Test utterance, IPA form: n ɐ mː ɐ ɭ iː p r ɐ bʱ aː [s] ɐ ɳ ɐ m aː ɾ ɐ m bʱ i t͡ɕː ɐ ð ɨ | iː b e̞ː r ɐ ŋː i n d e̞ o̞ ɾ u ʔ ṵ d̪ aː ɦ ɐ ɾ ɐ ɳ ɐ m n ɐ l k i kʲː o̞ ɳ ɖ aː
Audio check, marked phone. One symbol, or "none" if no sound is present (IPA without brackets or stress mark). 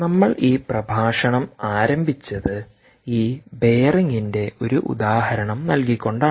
ʂ